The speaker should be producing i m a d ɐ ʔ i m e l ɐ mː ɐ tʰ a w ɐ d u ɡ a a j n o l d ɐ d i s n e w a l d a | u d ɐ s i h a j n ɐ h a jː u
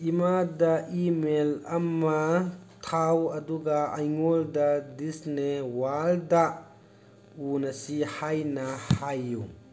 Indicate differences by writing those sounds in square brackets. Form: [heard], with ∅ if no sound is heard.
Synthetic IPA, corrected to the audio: i m a d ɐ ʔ i m e l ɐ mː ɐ tʰ a w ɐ d u ɡ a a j [ŋ] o l d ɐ d i s n e w a l d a | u [n] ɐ s i h a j n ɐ h a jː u

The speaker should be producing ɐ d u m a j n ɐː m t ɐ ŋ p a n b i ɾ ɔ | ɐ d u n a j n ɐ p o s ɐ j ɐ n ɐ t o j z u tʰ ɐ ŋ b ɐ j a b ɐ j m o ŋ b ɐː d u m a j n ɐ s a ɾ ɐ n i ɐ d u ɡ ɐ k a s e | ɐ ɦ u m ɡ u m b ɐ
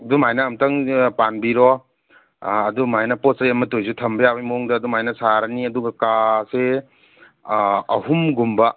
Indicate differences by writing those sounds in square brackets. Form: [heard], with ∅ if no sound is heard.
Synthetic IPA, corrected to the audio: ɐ d u m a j n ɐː m t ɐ ŋ p a n b i ɾ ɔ | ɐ d u [m] a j n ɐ p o s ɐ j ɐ [m] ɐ t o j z u tʰ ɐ [m] b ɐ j a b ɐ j m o ŋ [d] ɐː d u m a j n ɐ s a ɾ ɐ n i ɐ d u ɡ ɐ k a s e | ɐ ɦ u m ɡ u m b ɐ

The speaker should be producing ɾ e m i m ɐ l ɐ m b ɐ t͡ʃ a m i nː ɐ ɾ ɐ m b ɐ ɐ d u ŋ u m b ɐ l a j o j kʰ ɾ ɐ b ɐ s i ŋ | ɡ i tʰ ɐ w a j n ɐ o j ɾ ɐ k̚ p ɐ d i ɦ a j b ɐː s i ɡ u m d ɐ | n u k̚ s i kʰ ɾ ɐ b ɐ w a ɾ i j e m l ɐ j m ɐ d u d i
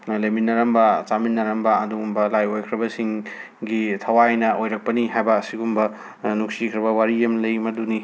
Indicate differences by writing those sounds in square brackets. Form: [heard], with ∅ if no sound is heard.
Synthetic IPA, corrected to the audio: [l] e m i [n] ɐ [ɾ] ɐ m b ɐ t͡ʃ a m i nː ɐ ɾ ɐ m b ɐ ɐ d u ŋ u m b ɐ l a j o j kʰ ɾ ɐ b ɐ s i ŋ | ɡ i tʰ ɐ w a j n ɐ o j ɾ ɐ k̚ p ɐ [n] i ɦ a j b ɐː s i ɡ u m [b] ɐ | n u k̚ s i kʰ ɾ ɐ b ɐ w a ɾ i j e m l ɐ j m ɐ d u [n] i

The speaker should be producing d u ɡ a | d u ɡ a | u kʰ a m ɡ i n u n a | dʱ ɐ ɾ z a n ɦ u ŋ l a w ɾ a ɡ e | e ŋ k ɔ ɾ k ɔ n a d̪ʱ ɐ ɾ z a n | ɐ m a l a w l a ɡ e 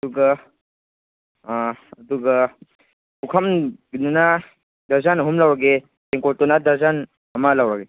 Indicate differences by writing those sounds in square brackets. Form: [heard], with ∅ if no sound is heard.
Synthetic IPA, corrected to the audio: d u ɡ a | d u ɡ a | u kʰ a m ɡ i n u n a | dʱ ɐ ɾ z a n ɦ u [m] l a w ɾ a ɡ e | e ŋ k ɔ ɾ [t] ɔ n a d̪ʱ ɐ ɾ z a n | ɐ m a l a w [ɾ] a ɡ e

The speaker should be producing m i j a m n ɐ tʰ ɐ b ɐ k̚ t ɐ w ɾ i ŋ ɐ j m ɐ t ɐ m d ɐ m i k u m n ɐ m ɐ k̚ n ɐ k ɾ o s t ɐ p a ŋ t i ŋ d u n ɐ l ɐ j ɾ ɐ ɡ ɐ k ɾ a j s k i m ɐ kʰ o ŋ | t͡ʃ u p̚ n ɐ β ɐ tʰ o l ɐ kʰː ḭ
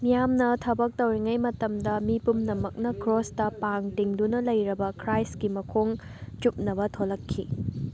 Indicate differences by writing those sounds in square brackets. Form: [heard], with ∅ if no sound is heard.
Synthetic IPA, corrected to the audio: m i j a m n ɐ tʰ ɐ b ɐ k̚ t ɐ w ɾ i ŋ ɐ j m ɐ t ɐ m d ɐ m i [p] u m n ɐ m ɐ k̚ n ɐ k ɾ o s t ɐ p a ŋ t i ŋ d u n ɐ l ɐ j ɾ ɐ [b] ɐ k ɾ a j s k i m ɐ kʰ o ŋ | t͡ʃ u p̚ n ɐ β ɐ tʰ o l ɐ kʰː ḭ

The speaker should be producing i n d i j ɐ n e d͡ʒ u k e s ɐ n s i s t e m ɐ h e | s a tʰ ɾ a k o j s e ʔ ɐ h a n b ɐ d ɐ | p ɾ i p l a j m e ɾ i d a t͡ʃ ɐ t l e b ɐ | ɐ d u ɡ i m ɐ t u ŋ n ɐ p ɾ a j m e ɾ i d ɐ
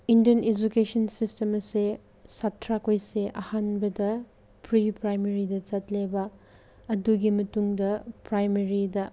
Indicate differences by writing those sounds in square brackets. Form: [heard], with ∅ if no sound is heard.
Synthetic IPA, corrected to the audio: i n d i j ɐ n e d͡ʒ u k e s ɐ n s i s t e m ɐ [s] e | s a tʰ ɾ a k o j s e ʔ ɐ h a n b ɐ d ɐ | p ɾ i p [ɾ] a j m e ɾ i d [ɐ] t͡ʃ ɐ t l e b ɐ | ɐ d u ɡ i m ɐ t u ŋ [d] ɐ p ɾ a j m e ɾ i d ɐ

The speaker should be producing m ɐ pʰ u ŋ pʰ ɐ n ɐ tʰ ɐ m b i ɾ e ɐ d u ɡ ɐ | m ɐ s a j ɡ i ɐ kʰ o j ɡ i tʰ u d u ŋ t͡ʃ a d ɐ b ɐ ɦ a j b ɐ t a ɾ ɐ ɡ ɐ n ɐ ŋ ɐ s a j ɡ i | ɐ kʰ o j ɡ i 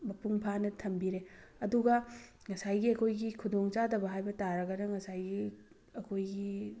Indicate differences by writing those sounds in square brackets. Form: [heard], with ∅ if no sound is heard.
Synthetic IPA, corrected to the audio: m ɐ [p] u ŋ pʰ [a] n ɐ tʰ ɐ m b i ɾ e ɐ d u ɡ ɐ | [ŋ] ɐ s a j ɡ i ɐ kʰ o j ɡ i [kʰ] u d [o] ŋ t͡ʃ a d ɐ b ɐ ɦ a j b ɐ t a ɾ ɐ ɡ ɐ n ɐ ŋ ɐ s a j ɡ i | ɐ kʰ o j ɡ i

